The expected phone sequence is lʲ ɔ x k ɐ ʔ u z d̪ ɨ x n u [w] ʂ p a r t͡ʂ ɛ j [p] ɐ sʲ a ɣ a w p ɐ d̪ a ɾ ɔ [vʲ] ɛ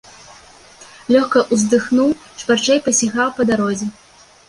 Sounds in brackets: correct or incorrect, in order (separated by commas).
correct, correct, incorrect